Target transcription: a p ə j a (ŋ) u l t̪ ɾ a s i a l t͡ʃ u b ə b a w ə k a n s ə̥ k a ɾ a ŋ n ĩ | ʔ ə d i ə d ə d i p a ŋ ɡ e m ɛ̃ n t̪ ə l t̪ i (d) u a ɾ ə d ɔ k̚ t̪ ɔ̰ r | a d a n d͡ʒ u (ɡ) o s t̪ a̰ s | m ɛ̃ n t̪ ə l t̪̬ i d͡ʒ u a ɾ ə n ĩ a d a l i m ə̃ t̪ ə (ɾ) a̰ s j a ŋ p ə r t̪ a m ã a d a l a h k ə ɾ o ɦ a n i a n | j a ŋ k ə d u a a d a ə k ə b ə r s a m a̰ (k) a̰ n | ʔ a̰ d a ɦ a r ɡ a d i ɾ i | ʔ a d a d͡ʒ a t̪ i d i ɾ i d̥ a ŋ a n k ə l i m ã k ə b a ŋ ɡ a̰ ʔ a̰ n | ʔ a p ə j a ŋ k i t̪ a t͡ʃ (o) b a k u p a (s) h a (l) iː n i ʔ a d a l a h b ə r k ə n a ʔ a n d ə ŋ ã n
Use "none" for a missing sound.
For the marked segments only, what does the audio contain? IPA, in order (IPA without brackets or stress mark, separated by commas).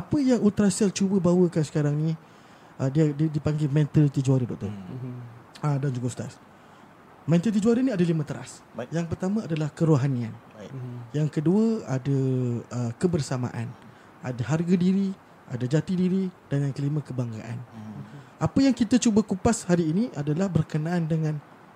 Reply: ŋ, d͡ʒ, ɡ, ɾ, ʔ, u, s, ɾ